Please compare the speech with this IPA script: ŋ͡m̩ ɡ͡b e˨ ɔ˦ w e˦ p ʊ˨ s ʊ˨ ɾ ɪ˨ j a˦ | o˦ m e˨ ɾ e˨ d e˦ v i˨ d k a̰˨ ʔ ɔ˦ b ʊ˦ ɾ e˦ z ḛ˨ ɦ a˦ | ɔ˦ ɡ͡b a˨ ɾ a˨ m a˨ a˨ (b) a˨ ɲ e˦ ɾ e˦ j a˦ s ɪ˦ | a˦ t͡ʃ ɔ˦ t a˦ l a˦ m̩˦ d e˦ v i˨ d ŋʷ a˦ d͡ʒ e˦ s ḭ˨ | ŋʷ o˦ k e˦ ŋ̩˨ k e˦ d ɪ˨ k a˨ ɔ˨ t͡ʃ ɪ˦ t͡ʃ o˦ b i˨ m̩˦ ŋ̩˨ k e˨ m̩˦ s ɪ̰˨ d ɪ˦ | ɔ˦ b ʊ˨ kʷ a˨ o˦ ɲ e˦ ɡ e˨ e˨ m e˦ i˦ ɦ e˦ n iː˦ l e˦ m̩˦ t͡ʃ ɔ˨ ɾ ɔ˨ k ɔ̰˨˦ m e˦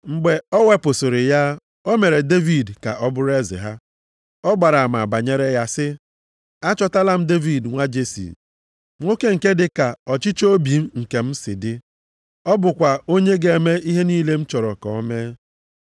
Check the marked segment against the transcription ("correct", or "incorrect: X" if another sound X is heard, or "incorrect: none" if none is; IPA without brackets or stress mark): correct